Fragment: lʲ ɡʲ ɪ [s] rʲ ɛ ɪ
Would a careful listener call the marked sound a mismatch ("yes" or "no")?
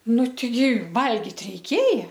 yes